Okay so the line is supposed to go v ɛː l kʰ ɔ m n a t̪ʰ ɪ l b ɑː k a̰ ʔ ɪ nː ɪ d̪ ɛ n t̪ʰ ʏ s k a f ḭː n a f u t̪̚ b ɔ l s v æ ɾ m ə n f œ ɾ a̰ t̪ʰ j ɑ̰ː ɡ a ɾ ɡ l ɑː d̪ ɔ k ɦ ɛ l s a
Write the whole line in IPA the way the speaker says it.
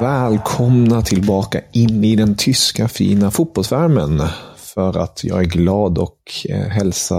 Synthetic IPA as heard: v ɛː l kʰ ɔ m n a t̪ʰ ɪ l b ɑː k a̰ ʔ ɪ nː ɪ d̪ ɛ n t̪ʰ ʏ s k a f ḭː n a f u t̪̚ b ɔ l s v æ ɾ m ə n f œ ɾ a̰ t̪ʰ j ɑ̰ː ɡ æ ɾ ɡ l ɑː d̪ ɔ k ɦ ɛ l s a